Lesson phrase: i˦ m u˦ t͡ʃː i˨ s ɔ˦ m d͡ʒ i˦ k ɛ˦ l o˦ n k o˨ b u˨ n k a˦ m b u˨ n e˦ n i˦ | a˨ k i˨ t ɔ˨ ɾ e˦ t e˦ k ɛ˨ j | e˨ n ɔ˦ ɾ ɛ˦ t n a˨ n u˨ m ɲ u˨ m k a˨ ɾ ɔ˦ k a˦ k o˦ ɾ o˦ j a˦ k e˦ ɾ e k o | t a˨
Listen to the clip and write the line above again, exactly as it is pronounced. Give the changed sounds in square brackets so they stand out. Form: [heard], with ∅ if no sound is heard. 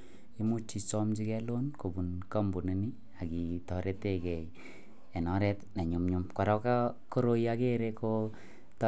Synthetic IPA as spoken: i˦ m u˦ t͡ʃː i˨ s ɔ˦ m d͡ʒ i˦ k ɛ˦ l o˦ n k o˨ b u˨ n k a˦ m b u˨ n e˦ n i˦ | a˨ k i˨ t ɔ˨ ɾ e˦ t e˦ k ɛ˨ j | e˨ n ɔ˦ ɾ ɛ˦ t n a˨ [ɲ] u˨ m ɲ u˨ m k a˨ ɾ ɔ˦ k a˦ k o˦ ɾ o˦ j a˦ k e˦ ɾ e k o | t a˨